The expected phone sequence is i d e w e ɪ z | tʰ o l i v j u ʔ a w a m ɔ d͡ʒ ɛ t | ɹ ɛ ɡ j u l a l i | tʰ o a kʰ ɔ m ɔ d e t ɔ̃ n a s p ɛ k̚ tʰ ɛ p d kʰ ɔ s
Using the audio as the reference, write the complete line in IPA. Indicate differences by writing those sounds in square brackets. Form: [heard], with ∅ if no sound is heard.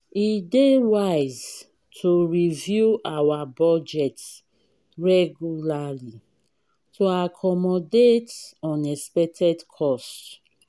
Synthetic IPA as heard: i d e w [a] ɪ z | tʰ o [ɹ] i v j u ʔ a w a [b] ɔ d͡ʒ ɛ t | ɹ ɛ ɡ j u l a l i | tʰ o a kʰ ɔ m ɔ d e t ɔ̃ n [ɛ] s p ɛ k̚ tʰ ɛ [∅] d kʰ ɔ s